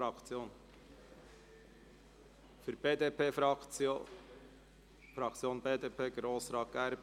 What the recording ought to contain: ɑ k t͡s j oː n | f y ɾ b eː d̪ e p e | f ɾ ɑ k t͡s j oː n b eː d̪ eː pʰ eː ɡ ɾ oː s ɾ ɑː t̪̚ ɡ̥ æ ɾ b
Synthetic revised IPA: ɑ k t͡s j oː n | f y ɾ b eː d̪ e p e | f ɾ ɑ k t͡s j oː n b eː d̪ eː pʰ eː ɡ ɾ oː s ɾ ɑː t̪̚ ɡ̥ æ ɾ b